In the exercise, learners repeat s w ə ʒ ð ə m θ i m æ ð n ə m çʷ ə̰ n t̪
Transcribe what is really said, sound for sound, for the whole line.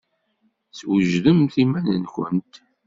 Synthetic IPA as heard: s w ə ʒ ð ə m θ i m æ n ə n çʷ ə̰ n t̪